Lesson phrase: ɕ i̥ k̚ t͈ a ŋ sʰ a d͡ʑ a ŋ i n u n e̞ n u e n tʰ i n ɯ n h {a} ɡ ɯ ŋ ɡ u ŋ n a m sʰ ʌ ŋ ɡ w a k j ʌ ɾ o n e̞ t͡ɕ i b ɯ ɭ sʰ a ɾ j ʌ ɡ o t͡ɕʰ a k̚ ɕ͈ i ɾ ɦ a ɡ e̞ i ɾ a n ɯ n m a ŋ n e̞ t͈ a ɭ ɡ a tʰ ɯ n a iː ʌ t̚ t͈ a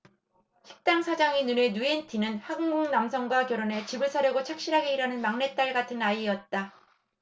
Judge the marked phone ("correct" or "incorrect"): correct